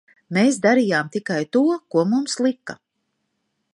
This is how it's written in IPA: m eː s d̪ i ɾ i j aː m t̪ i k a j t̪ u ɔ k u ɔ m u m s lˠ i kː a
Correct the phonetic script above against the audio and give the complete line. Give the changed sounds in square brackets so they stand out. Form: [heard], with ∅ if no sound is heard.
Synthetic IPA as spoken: m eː s d̪ [a] ɾ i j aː m t̪ i k a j t̪ u ɔ k u ɔ m u m s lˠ i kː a

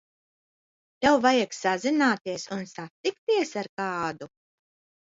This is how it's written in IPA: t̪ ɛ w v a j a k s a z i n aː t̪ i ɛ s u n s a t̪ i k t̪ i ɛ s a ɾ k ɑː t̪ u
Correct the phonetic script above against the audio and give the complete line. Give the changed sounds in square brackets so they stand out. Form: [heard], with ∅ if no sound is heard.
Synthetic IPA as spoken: t̪ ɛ w v a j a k s a z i n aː t̪ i ɛ s u n s a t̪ i k t̪ i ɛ s a ɾ k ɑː [d̪] u

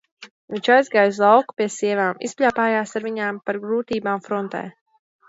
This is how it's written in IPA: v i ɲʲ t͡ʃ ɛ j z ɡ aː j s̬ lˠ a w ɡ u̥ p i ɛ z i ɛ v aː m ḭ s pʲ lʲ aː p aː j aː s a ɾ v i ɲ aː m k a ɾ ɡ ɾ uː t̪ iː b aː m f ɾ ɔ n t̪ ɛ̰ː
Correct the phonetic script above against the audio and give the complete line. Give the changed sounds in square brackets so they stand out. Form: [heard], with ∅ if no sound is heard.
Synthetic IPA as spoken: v i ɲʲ t͡ʃ [a] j z ɡ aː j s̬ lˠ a w [k] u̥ p i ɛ [s] i ɛ v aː m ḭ s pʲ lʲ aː p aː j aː s a ɾ v i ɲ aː m [p] a ɾ ɡ ɾ uː t̪ iː b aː m f ɾ ɔ n t̪ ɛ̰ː

